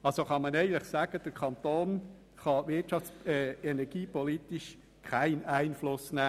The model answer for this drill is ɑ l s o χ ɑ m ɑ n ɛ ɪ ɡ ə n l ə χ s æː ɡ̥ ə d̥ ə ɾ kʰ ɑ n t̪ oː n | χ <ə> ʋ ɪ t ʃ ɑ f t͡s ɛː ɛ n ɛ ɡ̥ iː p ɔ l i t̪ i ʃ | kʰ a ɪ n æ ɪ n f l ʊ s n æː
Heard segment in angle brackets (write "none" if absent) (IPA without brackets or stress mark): ɑ